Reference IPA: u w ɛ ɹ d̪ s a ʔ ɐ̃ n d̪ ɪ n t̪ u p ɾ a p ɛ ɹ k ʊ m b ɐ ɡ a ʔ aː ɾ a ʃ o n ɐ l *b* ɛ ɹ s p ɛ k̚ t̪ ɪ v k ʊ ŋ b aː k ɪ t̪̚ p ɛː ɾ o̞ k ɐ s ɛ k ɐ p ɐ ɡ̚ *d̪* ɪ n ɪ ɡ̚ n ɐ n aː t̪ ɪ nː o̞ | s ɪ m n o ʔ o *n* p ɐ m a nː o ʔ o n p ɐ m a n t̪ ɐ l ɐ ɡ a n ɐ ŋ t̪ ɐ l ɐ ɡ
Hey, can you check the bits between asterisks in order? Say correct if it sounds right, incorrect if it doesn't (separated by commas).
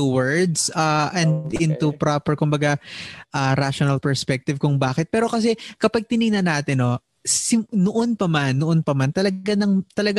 incorrect, incorrect, correct